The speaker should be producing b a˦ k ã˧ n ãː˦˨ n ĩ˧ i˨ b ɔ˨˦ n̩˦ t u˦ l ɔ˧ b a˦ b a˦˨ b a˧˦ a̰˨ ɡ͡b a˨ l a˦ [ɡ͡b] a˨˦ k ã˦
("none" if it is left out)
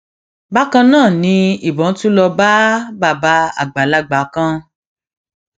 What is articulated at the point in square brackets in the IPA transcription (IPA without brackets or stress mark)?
ɡ͡b